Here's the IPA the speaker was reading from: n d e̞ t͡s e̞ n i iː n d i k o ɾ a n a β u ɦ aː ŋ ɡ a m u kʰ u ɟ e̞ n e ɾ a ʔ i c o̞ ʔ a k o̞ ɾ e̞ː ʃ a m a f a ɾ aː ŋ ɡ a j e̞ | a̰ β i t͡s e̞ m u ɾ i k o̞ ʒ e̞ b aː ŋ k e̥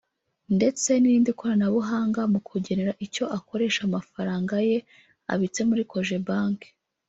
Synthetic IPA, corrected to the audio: n d e̞ t͡s e̞ n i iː n d i k o ɾ a n a β u ɦ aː ŋ ɡ a m u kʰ u ɟ e̞ n e ɾ a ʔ i c o̞ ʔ a k o̞ ɾ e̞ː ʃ a m a f a ɾ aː ŋ ɡ a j e̞ | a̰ β i t͡s e̞ m u ɾ i k o̞ ʒ e̞ b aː ŋ k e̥